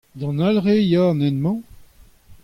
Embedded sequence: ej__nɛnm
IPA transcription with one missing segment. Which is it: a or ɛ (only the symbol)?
a